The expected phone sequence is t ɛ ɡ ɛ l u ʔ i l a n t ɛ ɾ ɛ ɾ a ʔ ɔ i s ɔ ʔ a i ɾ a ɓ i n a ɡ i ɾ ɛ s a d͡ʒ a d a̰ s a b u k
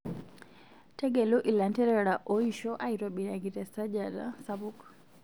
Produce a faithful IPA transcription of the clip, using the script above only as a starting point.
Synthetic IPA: t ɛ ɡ ɛ l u ʔ i l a n t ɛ ɾ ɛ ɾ a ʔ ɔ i ʃ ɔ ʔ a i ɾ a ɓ i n a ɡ i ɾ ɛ s a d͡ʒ a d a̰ s a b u k